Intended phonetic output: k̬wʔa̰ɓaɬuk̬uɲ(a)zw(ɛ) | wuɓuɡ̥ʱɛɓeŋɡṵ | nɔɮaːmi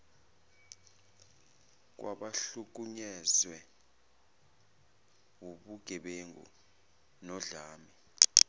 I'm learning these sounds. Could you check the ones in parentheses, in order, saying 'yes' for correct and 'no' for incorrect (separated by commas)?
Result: no, yes